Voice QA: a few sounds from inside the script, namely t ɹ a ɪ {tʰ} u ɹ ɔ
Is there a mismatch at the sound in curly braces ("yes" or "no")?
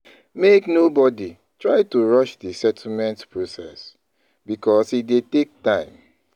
yes